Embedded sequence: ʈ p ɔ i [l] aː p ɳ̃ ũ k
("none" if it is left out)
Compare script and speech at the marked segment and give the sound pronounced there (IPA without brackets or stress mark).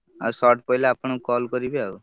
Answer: l